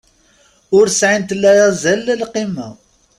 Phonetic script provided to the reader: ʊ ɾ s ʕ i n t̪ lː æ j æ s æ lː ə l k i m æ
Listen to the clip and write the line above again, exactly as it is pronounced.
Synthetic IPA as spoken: ʊ ɾ s ʕ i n t̪ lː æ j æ z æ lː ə l q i m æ